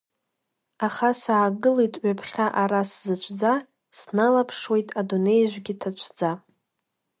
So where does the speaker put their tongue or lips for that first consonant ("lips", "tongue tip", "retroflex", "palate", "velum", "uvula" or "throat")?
uvula